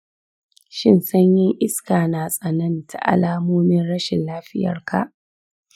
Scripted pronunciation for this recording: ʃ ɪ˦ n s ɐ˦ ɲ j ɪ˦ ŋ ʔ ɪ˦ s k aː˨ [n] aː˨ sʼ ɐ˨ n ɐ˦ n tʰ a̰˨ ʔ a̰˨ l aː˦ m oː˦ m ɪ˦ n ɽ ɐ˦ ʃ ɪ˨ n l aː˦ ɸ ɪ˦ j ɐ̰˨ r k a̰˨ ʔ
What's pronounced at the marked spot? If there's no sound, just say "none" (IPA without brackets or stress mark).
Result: n